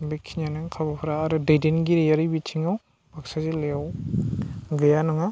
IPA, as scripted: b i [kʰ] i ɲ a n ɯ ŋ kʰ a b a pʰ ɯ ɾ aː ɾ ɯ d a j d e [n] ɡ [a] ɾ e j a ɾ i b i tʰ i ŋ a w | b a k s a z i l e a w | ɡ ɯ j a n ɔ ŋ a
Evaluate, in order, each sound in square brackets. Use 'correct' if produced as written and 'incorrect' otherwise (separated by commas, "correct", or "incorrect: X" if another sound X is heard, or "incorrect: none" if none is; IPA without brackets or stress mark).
correct, correct, incorrect: i